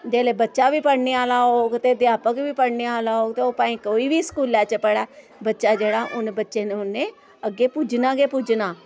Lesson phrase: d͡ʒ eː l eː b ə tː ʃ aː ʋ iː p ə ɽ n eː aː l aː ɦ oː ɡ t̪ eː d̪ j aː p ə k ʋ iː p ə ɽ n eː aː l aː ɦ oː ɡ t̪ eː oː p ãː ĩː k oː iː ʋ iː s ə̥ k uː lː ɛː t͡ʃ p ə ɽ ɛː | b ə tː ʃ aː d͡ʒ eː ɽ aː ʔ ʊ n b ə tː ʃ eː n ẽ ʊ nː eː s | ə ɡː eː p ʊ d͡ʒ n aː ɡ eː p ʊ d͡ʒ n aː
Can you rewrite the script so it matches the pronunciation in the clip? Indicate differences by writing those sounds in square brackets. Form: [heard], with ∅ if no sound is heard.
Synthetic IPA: d͡ʒ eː l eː b ə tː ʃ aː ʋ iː p ə ɽ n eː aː l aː ɦ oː ɡ t̪ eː d̪ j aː p ə k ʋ iː p ə ɽ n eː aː l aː ɦ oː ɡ t̪ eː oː p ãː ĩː k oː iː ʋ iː s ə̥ k uː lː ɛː t͡ʃ p ə ɽ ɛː | b ə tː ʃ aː d͡ʒ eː ɽ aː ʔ ʊ n b ə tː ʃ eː n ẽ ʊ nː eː [∅] | ə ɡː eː p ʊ d͡ʒ n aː ɡ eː p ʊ d͡ʒ n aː

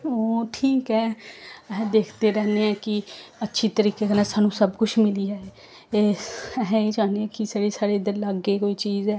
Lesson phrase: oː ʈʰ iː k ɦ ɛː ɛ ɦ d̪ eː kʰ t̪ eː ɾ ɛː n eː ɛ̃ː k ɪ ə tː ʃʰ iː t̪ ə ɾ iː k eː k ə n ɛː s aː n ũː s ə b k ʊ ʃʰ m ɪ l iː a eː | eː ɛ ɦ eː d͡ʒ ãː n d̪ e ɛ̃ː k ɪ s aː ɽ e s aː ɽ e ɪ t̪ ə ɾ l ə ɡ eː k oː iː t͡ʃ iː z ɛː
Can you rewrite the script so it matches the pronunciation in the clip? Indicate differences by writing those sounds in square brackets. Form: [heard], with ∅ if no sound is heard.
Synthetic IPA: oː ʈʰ iː k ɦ ɛː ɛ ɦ d̪ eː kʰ t̪ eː ɾ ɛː n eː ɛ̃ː k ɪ ə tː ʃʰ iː t̪ ə ɾ iː k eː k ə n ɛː s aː n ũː s ə b k ʊ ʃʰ m ɪ l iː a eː | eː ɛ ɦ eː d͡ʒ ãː n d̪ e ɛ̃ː k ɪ s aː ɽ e s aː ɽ e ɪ [d̪] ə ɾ l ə ɡ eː k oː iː t͡ʃ iː z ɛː

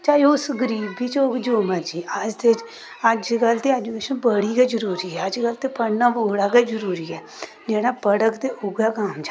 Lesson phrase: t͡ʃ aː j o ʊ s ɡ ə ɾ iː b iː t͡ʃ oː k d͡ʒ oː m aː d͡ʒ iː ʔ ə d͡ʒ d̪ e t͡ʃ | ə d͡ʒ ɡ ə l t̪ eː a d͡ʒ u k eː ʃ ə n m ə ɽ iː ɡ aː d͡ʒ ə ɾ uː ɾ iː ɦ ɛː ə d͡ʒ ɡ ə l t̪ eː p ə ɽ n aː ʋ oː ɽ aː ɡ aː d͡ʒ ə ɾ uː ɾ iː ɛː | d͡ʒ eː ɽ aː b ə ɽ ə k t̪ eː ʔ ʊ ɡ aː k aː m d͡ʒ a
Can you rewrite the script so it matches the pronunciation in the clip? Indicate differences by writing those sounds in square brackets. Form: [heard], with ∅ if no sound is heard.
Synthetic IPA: t͡ʃ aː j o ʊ s ɡ ə ɾ iː b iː t͡ʃ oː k d͡ʒ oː m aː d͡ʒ iː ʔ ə d͡ʒ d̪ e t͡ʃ | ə d͡ʒ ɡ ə l t̪ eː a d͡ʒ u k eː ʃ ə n [b] ə ɽ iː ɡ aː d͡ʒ ə ɾ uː ɾ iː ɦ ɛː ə d͡ʒ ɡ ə l t̪ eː p ə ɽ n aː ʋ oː ɽ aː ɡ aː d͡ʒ ə ɾ uː ɾ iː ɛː | d͡ʒ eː ɽ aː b ə ɽ ə k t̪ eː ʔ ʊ ɡ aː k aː m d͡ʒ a

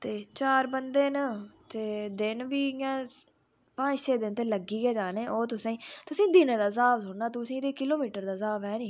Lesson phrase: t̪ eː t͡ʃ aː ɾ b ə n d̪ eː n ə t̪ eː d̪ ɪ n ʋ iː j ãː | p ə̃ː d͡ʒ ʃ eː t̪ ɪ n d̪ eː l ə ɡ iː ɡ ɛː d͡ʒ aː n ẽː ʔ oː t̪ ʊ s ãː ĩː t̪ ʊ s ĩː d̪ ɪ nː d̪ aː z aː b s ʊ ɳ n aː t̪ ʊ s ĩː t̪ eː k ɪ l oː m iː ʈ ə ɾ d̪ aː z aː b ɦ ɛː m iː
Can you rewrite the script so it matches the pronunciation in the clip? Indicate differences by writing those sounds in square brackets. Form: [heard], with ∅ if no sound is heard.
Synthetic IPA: t̪ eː t͡ʃ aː ɾ b ə n d̪ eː n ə t̪ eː d̪ ɪ n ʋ iː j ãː | p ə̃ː d͡ʒ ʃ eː [d̪] ɪ n [t̪] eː l ə ɡ iː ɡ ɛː d͡ʒ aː n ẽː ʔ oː t̪ ʊ s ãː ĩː t̪ ʊ s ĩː d̪ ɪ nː d̪ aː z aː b s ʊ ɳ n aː t̪ ʊ s ĩː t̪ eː k ɪ l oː m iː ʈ ə ɾ d̪ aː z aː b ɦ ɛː [n] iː

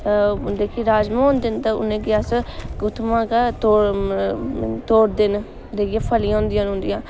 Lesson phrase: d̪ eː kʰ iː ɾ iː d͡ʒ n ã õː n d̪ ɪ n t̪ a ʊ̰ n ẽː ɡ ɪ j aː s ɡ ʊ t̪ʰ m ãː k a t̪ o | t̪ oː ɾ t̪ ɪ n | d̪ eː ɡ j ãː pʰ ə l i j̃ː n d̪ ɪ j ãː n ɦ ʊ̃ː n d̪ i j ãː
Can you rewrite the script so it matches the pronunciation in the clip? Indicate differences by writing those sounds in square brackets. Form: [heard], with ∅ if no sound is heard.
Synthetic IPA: d̪ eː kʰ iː ɾ [aː] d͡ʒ [m] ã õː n d̪ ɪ n t̪ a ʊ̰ n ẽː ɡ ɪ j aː s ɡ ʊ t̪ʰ m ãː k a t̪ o | t̪ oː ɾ [d̪] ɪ n | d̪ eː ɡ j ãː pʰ ə l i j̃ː n d̪ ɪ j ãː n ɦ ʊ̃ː n d̪ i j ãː

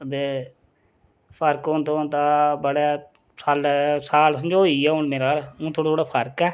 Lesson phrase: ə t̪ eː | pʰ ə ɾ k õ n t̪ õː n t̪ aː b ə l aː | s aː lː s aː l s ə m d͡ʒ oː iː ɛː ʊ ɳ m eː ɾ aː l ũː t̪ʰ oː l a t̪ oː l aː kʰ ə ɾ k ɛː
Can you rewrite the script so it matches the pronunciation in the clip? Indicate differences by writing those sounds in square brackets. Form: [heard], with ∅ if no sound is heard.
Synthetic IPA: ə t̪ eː | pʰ ə ɾ k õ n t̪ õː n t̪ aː b ə [ɽ] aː | s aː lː s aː l s ə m d͡ʒ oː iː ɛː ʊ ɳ m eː ɾ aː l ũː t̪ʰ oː [ɽ] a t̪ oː [ɽ] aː [pʰ] ə ɾ k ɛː

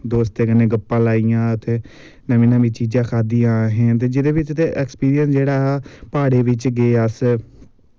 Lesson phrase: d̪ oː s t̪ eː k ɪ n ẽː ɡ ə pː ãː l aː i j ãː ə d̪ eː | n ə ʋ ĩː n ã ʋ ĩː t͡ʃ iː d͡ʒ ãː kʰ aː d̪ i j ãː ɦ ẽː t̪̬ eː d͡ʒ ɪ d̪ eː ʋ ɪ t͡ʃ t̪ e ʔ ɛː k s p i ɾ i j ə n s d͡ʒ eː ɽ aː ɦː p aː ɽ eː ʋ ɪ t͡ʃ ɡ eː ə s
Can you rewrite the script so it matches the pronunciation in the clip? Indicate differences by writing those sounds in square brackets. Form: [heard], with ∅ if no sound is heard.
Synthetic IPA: d̪ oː s t̪ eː k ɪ n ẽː ɡ ə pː ãː l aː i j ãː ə [t̪] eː | n ə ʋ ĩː n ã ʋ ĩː t͡ʃ iː d͡ʒ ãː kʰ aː d̪ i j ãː ɦ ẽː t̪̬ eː d͡ʒ ɪ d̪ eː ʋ ɪ t͡ʃ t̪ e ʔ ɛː k s p [iː] ɾ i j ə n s d͡ʒ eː ɽ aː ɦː p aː ɽ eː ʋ ɪ t͡ʃ ɡ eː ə s

